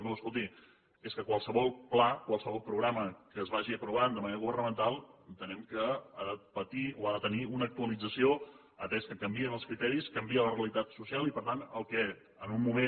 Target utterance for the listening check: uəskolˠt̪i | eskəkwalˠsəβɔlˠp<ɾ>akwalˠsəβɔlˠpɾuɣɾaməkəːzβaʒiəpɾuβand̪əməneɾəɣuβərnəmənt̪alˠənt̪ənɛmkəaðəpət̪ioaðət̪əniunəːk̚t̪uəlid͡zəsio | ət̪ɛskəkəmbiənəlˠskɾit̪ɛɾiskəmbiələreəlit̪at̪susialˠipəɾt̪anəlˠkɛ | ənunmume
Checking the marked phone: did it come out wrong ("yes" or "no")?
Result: yes